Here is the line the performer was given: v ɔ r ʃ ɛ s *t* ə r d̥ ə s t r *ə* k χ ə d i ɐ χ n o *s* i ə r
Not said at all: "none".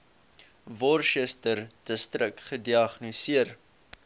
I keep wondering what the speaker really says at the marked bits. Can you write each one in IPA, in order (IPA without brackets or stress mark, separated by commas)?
t, ə, s